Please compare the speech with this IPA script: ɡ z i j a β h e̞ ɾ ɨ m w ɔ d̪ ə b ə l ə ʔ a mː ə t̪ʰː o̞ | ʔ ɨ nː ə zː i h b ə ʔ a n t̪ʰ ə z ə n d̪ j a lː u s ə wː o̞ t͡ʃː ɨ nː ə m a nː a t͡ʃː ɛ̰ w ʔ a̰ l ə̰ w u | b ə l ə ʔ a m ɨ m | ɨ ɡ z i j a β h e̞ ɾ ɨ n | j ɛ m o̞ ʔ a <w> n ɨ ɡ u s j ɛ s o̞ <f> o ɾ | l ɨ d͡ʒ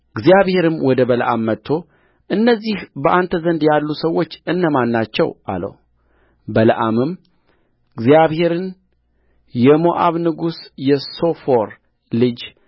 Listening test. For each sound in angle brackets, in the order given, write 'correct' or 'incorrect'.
incorrect: β, correct

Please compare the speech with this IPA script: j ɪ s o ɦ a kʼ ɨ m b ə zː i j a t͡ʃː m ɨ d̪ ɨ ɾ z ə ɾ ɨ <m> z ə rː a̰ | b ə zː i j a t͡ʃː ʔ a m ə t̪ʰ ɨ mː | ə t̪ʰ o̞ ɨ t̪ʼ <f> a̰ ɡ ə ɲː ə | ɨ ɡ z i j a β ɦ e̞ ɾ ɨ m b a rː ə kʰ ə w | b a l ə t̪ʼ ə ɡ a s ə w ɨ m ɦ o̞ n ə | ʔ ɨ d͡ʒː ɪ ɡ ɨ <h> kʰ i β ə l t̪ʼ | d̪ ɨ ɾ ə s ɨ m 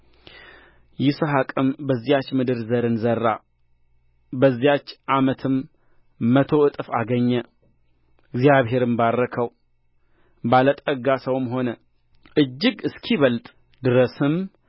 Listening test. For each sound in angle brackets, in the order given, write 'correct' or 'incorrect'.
incorrect: n, correct, incorrect: s

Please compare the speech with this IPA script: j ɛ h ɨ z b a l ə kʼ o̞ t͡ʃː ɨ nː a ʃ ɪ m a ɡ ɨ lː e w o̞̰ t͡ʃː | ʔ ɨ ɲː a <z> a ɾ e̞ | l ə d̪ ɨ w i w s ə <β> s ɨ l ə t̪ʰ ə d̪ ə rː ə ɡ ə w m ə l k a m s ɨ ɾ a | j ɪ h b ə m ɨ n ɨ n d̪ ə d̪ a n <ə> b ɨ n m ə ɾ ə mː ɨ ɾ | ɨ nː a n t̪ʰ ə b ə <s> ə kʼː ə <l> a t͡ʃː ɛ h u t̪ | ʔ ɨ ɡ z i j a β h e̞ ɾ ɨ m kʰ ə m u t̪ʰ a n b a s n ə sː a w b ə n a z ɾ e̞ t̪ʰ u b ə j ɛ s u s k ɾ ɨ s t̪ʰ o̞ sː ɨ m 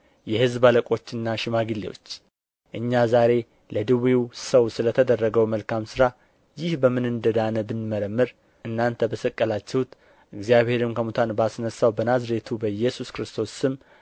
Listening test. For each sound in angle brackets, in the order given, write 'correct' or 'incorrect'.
correct, incorrect: w, correct, correct, correct

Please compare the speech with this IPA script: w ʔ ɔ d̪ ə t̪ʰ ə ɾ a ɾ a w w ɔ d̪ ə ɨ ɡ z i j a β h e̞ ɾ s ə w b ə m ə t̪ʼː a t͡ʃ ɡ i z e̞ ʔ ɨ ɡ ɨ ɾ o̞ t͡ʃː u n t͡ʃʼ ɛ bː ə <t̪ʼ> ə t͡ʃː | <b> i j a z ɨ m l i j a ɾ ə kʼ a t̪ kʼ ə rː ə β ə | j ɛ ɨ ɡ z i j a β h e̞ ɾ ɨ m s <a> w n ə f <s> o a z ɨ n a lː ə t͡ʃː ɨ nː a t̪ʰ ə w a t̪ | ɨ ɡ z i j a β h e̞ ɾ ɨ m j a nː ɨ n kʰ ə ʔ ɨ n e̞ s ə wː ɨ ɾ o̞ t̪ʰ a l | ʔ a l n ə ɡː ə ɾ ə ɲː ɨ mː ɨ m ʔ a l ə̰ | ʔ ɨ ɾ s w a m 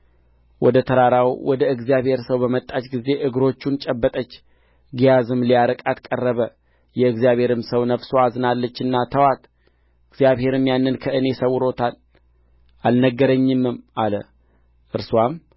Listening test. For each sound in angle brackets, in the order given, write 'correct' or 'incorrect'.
correct, incorrect: ɡ, incorrect: ə, correct

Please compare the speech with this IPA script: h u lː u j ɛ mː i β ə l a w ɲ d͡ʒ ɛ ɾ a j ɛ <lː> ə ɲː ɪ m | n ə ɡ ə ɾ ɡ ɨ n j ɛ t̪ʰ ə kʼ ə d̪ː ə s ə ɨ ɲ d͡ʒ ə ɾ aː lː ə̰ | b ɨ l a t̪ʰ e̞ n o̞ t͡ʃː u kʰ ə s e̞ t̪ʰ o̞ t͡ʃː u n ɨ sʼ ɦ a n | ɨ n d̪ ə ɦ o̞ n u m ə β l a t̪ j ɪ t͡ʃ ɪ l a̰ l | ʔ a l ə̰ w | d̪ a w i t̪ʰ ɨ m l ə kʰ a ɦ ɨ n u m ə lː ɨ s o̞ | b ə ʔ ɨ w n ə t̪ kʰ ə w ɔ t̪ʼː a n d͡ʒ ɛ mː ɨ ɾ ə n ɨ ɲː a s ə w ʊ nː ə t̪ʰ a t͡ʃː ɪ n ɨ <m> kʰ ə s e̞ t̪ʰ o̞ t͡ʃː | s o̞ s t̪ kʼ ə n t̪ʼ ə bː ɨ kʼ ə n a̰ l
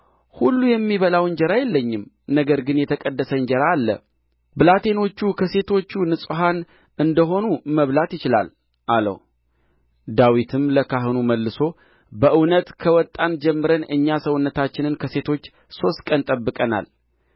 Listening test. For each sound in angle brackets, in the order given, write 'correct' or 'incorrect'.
correct, incorrect: n

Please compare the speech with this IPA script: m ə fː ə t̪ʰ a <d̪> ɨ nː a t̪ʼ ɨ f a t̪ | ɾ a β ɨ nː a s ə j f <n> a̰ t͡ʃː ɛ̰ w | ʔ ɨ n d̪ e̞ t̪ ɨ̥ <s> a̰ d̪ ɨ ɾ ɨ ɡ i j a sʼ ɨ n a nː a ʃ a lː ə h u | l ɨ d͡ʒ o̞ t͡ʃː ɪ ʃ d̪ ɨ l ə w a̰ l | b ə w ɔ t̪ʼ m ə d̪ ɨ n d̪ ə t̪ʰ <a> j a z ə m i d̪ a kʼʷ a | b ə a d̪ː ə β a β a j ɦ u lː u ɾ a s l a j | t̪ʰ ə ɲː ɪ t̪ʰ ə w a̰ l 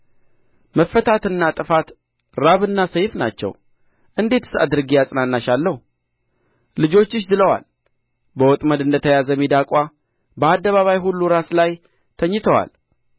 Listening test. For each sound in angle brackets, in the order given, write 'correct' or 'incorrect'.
incorrect: t̪, correct, correct, incorrect: ə

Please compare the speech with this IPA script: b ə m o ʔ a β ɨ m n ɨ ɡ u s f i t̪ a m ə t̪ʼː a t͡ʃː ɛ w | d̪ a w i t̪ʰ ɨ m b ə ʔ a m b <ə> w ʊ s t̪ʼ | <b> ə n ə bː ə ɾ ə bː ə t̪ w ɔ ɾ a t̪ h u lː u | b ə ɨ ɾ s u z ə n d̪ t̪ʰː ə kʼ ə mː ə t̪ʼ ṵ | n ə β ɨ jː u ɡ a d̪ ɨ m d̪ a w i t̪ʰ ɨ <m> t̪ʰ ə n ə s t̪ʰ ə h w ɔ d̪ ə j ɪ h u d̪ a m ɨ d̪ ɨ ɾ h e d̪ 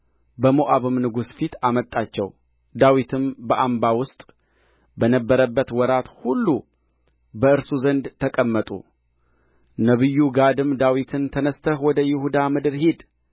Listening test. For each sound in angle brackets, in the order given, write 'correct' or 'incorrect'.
incorrect: a, correct, incorrect: n

